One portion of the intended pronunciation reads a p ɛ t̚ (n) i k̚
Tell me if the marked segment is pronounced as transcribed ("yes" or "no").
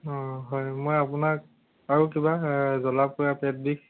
no